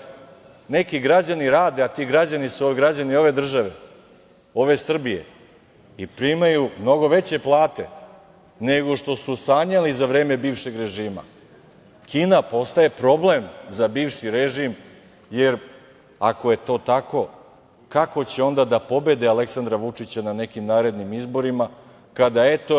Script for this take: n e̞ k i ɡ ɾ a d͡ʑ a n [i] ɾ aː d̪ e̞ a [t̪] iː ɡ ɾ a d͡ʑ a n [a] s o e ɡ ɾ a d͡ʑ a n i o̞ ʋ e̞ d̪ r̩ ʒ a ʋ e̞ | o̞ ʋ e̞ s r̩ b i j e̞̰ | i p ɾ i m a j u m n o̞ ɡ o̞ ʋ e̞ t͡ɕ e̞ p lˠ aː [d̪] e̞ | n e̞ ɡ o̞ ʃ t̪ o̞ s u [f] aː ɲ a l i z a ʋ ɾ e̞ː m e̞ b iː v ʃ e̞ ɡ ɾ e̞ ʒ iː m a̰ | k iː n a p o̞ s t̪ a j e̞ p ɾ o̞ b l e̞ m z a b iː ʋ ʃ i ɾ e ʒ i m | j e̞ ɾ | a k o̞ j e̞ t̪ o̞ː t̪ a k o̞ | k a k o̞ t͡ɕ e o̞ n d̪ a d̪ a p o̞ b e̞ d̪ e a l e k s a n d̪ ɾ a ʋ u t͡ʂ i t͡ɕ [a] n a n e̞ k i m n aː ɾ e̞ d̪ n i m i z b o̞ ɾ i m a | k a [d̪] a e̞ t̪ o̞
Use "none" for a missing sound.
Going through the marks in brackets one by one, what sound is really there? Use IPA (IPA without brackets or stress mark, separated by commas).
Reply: i, t̪, i, t̪, s, a, d̪